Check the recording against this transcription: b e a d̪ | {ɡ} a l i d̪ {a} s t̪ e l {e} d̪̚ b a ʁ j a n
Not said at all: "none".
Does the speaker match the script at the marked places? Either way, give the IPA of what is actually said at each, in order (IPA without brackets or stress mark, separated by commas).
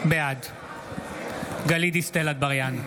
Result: ɡ, i, a